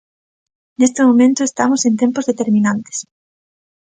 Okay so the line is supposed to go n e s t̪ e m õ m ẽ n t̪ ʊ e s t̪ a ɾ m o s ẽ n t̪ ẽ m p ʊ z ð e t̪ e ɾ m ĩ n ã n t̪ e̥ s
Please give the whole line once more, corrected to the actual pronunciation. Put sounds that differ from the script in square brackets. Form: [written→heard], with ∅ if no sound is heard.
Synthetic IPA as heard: n e s t̪ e m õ m ẽ n t̪ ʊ e s t̪ a [ɾ→∅] m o s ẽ n t̪ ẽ m p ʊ z ð e t̪ e ɾ m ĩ n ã n t̪ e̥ s